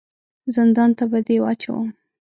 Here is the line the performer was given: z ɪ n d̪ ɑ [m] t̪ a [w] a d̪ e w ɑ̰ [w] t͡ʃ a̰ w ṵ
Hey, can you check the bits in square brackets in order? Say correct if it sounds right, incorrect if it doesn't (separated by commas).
incorrect, incorrect, incorrect